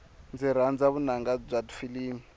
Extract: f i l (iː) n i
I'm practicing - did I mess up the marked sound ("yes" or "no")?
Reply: no